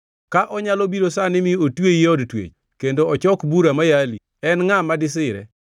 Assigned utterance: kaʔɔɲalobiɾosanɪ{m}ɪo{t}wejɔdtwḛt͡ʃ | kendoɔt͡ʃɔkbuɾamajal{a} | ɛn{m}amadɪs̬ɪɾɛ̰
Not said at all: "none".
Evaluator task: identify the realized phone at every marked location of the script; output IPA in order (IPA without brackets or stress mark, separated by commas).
m, t, i, ŋ